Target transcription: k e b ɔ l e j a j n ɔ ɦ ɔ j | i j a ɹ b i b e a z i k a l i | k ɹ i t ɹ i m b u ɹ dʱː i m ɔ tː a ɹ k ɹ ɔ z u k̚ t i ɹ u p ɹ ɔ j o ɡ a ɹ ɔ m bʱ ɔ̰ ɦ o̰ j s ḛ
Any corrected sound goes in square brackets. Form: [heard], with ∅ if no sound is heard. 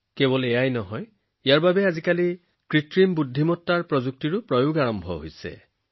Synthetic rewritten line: k e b ɔ l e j a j n ɔ ɦ ɔ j | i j a ɹ b [a] b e a z i k a l i | k ɹ i t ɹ i m b u [∅] dʱː i m ɔ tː a ɹ [p] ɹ ɔ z u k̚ t i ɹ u p ɹ ɔ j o ɡ a ɹ ɔ m bʱ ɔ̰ ɦ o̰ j s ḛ